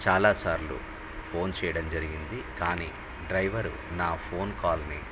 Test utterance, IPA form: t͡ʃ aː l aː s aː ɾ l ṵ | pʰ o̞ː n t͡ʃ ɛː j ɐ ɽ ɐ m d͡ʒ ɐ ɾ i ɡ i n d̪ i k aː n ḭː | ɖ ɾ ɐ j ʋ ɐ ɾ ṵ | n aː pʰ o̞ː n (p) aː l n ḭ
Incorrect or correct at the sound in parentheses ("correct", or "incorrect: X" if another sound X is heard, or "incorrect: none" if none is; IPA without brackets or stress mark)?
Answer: incorrect: k